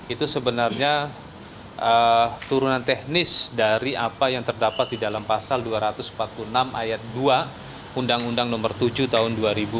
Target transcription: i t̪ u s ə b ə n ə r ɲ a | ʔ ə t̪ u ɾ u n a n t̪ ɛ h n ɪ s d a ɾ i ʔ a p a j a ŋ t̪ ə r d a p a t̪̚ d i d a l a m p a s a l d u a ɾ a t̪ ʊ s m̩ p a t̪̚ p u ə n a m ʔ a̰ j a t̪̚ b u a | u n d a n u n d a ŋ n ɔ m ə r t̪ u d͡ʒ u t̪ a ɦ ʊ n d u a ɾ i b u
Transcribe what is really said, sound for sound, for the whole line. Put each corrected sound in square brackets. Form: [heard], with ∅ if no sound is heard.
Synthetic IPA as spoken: i t̪ u s ə b ə n [a] r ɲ a | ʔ ə t̪ u ɾ u n a n t̪ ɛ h n ɪ s d a ɾ i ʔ a p a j a ŋ t̪ ə r d a p a t̪̚ d i d a l a m p a s a l d u a ɾ a t̪ ʊ s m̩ p a t̪̚ p u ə n a m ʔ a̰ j a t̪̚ [d] u a | u n d a [ŋ] u n d a ŋ n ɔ m ə r t̪ u d͡ʒ u t̪ a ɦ ʊ n d u a ɾ i b u